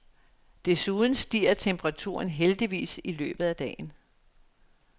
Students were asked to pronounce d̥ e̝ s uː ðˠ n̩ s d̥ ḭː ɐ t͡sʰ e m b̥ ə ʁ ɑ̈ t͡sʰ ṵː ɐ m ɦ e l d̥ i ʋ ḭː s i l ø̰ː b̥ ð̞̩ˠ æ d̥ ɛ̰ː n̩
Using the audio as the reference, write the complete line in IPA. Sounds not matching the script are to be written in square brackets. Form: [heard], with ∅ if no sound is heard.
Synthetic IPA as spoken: d̥ e̝ s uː ðˠ n̩ s d̥ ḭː ɐ t͡sʰ e m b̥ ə ʁ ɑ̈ t͡sʰ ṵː ɐ [n] ɦ e l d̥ i ʋ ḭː s i l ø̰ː b̥ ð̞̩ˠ æ d̥ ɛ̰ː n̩